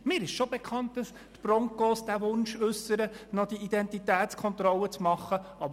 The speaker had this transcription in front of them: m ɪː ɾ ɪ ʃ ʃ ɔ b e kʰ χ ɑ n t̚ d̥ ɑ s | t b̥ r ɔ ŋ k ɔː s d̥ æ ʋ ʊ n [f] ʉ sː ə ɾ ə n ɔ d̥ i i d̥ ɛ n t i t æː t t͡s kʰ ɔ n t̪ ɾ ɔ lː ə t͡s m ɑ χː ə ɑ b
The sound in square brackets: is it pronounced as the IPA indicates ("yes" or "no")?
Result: no